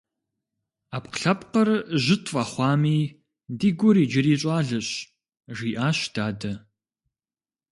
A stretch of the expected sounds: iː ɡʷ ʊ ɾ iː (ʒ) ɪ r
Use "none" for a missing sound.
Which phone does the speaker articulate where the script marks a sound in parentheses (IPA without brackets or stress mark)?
d͡ʒ